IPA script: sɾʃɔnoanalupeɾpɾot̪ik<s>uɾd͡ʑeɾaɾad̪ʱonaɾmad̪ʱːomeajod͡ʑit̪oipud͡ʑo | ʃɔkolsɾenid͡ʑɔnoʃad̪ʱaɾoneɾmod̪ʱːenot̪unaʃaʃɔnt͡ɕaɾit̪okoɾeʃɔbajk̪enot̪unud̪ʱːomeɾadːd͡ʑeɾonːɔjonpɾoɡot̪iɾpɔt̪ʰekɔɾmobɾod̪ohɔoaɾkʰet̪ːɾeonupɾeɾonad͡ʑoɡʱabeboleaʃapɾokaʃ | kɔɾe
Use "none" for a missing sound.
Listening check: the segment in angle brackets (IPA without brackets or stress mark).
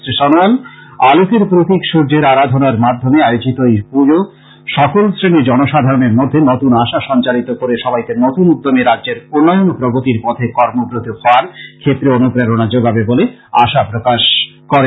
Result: ʃ